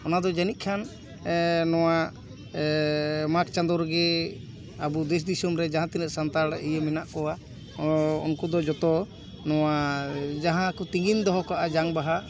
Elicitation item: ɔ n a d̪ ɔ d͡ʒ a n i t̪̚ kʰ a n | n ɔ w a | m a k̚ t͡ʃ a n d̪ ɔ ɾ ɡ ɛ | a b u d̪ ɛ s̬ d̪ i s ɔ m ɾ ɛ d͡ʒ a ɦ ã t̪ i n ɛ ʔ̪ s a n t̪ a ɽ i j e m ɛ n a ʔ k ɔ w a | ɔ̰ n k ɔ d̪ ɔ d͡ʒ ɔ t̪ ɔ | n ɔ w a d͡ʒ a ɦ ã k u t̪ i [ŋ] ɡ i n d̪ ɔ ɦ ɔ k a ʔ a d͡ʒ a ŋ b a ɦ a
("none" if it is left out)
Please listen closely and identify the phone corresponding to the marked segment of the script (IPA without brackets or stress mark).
ŋ